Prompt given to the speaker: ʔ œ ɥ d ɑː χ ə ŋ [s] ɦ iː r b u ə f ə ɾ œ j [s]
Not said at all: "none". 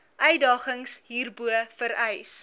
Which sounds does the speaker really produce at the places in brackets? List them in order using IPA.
s, s

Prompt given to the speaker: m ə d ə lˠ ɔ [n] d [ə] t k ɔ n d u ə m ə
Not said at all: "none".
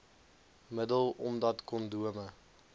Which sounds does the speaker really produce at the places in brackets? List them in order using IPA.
m, ɐ

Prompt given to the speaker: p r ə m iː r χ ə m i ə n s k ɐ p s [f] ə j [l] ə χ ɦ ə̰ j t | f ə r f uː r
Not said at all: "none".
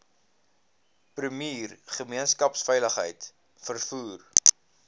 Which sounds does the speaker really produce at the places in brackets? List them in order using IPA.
f, l

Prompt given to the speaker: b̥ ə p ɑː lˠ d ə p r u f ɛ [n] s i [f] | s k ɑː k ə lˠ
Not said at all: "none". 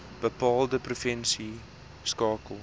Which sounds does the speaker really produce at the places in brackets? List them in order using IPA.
n, none

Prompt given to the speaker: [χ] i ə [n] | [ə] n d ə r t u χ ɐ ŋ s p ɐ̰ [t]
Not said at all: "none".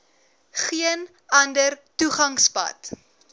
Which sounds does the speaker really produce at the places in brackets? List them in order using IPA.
χ, n, ɐ, t

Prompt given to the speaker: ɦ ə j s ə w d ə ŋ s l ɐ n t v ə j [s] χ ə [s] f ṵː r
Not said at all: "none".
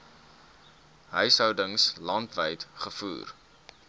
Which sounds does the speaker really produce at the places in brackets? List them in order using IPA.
t, none

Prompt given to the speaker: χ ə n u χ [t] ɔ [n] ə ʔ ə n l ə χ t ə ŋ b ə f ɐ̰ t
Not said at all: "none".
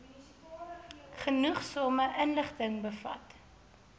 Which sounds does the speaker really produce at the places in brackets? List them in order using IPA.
s, m

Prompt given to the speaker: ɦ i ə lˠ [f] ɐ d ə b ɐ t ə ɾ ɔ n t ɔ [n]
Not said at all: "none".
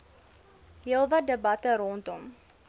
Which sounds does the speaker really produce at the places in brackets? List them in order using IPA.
v, m

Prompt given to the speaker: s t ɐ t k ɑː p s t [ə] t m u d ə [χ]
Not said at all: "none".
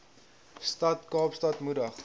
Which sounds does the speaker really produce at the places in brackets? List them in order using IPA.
ɐ, χ

